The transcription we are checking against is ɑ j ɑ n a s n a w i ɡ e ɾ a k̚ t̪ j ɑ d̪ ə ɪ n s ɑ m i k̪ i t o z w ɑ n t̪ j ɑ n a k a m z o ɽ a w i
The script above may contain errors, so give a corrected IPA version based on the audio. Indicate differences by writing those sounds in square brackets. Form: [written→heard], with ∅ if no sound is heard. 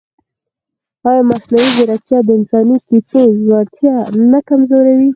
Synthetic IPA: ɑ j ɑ [n→m] a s n a w i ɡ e ɾ a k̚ t̪ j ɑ d̪ ə ɪ n s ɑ [m→n] i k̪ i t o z w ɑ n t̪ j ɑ n a k a m z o [ɽ→ɾ] a w i